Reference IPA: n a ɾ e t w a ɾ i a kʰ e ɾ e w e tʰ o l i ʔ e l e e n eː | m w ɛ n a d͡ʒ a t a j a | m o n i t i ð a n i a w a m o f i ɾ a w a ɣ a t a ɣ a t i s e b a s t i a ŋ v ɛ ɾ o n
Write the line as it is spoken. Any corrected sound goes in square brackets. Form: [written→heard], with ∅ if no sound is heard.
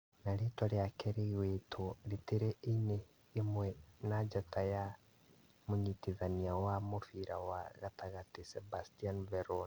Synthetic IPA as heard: n a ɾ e t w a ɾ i a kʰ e ɾ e w e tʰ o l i [ʔ→t] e [l→ɾ] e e n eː | m w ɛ n a d͡ʒ a t a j a | m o [n→ɲ] i t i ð a n i a w a m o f i ɾ a w a ɣ a t a ɣ a t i s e b a s t i a [ŋ→n] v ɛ ɾ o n